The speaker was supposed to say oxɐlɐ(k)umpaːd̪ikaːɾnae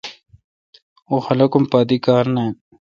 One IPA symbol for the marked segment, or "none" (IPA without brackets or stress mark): k